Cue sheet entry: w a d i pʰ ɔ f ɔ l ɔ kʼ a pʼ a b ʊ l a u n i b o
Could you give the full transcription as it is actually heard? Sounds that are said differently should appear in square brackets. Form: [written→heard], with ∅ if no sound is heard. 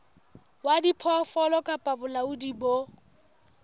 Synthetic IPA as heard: w a d i pʰ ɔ f ɔ l ɔ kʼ a pʼ a b ʊ l a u [n→d] i b o